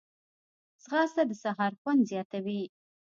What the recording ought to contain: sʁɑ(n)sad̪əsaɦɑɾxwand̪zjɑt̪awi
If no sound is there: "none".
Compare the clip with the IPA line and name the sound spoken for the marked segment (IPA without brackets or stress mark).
none